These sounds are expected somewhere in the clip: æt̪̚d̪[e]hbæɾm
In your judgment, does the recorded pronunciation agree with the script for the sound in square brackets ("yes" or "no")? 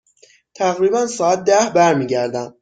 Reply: no